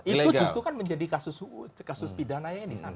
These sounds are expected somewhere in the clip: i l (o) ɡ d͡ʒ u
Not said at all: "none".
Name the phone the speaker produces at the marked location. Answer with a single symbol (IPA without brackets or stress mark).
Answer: u